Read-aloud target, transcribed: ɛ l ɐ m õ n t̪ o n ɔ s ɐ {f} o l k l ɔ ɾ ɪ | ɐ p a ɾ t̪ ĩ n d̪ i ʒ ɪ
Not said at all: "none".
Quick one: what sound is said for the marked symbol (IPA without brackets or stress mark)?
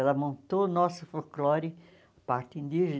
f